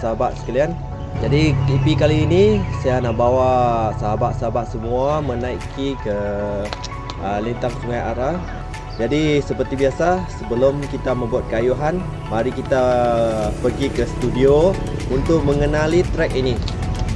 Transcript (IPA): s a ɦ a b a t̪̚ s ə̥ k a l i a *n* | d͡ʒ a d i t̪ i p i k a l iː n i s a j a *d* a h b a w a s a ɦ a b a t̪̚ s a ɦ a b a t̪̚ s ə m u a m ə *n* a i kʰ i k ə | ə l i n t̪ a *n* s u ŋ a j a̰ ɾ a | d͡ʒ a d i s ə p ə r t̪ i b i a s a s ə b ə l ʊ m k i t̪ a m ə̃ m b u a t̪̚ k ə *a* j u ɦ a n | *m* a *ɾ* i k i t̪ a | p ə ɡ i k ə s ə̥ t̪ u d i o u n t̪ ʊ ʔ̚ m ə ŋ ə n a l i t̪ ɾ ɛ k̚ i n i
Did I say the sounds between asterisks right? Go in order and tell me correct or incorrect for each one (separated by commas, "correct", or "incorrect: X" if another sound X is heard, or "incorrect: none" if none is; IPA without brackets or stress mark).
correct, incorrect: n, correct, incorrect: ŋ, correct, correct, correct